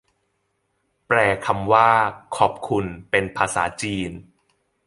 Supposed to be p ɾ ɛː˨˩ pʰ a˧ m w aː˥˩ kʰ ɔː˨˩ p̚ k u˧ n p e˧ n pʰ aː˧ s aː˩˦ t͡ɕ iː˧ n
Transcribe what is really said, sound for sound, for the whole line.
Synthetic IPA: p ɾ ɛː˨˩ kʰ a˧ m w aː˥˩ kʰ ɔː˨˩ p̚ kʰ u˧ n p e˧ n pʰ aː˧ s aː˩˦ t͡ɕ iː˧ n

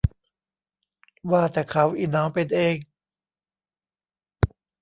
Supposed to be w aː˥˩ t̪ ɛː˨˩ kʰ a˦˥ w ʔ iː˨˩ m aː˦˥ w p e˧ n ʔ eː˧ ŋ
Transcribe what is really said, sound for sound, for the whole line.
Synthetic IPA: w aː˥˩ t̪ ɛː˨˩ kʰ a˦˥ w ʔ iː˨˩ n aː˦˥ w p e˧ n ʔ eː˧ ŋ

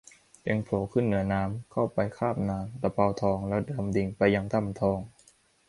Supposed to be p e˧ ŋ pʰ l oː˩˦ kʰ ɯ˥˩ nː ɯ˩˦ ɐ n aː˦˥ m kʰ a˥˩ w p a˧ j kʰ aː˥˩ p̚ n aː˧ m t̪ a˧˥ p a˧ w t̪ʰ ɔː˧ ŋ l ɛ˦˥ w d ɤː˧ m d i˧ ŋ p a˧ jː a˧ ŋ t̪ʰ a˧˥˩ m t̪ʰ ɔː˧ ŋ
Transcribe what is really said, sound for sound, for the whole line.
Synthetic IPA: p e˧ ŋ pʰ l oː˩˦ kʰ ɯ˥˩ nː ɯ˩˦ ɐ n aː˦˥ m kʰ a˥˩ w p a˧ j kʰ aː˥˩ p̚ n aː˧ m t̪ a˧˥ p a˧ w t̪ʰ ɔː˧ ŋ l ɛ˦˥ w d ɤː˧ m d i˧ ŋ p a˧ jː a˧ ŋ t̪ʰ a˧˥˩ m t̪ʰ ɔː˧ ŋ

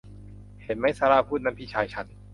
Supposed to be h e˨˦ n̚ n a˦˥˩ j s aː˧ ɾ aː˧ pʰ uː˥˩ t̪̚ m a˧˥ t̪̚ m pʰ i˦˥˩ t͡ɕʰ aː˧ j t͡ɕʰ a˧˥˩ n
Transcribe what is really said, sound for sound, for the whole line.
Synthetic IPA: h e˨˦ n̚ m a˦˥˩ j s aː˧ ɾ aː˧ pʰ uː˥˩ t̪̚ n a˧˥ m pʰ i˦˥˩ t͡ɕʰ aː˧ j t͡ɕʰ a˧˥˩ n

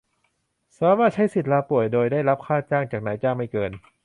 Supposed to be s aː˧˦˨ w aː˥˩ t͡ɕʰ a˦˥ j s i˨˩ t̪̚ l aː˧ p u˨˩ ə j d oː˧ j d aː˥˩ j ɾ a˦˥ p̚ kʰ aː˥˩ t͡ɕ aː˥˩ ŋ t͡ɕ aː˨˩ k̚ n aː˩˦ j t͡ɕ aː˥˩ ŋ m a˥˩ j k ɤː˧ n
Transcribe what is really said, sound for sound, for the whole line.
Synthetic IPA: s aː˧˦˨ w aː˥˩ t͡ɕʰ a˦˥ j s i˨˩ t̪̚ l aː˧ p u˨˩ ə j d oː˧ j d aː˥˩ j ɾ a˦˥ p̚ kʰ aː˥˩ t͡ɕ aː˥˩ ŋ t͡ɕ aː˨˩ k̚ n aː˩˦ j t͡ɕ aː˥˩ ŋ m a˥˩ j k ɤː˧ n

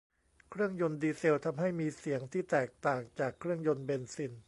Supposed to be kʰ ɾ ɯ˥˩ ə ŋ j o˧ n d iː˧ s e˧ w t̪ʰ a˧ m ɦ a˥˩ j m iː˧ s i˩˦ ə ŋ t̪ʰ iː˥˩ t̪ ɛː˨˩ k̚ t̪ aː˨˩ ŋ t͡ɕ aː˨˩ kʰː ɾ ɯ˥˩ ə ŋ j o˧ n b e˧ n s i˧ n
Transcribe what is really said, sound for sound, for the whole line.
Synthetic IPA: kʰ ɾ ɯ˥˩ ə ŋ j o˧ n d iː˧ s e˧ w t̪ʰ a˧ m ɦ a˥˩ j m iː˧ s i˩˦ ə ŋ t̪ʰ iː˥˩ t̪ ɛː˨˩ k̚ t̪ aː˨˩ ŋ t͡ɕ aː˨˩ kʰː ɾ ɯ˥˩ ə ŋ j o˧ n b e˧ n s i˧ n

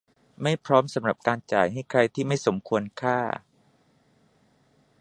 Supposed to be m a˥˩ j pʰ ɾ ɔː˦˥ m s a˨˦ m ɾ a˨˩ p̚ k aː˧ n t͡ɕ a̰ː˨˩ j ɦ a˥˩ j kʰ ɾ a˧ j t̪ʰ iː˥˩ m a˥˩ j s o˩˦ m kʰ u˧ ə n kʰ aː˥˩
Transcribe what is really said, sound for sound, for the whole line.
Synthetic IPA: m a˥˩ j pʰ ɾ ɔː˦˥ m s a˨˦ m ɾ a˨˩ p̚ k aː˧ n t͡ɕ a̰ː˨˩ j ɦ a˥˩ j kʰ ɾ a˧ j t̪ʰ iː˥˩ m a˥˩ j s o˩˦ m kʰ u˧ ə n kʰ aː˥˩

